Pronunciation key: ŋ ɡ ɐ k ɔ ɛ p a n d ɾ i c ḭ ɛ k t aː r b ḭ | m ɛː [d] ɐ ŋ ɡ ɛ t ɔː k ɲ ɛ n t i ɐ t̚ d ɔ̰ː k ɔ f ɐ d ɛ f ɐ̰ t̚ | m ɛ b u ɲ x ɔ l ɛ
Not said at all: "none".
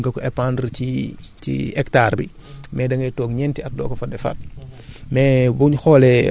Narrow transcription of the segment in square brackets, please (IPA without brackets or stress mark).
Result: d